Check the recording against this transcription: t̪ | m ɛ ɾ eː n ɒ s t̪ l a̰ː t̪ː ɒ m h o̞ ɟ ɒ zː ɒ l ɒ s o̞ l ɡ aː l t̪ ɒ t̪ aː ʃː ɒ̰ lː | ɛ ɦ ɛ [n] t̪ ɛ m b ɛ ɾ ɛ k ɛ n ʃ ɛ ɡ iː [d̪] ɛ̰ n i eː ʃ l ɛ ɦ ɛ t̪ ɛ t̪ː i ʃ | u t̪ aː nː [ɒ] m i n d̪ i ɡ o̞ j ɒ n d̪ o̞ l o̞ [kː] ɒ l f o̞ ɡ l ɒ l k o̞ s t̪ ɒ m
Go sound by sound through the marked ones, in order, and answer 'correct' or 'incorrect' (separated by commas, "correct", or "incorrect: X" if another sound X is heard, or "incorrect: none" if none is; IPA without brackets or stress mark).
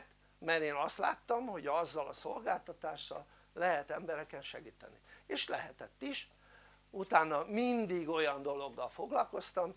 incorrect: none, incorrect: t̪, correct, incorrect: ɡː